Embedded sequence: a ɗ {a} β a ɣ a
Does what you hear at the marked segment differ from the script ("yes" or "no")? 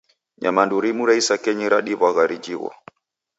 yes